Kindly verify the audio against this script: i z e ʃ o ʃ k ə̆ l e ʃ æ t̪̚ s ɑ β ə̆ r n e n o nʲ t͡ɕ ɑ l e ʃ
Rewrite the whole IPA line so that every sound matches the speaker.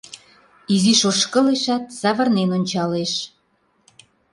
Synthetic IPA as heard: i z i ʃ o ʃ k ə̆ l e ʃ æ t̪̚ s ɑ β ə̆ r n e n o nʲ t͡ɕ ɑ l e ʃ

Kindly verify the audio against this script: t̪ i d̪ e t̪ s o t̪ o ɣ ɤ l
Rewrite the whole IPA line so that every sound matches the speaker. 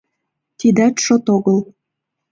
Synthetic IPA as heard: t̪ i d̪ æ t̪ ʃ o t̪ o ɣ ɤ l

